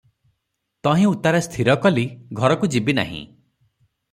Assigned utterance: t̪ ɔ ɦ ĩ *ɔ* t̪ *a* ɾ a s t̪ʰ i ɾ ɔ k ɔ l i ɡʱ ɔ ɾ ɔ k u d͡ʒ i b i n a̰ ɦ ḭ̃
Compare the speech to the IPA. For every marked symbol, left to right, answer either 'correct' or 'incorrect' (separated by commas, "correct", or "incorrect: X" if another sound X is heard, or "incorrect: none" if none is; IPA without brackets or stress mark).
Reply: incorrect: u, correct